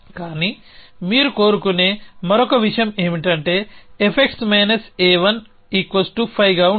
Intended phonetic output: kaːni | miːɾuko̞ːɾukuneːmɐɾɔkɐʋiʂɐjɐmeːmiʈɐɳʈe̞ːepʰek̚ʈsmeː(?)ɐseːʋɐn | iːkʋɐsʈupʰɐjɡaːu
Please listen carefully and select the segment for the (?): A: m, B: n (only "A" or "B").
B